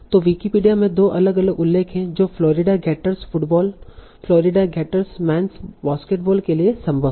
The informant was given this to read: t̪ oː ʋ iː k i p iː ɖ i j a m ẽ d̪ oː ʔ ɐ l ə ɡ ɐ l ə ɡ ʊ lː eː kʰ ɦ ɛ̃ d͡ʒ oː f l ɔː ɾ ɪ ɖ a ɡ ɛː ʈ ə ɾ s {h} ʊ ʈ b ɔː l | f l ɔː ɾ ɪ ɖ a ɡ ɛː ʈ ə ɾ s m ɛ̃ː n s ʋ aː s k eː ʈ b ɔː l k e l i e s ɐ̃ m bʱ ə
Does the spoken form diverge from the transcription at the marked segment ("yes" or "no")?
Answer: yes